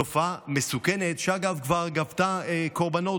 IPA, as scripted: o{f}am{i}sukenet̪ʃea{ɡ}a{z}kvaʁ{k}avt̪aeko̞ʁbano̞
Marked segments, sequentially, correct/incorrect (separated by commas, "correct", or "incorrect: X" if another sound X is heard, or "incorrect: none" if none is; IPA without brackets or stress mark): correct, incorrect: e, correct, incorrect: v, incorrect: ɡ